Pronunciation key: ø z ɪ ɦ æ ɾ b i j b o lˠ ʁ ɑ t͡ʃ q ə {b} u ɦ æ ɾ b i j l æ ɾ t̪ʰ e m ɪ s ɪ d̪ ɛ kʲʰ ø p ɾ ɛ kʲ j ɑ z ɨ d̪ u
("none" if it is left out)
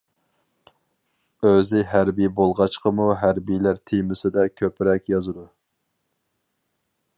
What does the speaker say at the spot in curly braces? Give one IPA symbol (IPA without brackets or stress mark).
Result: m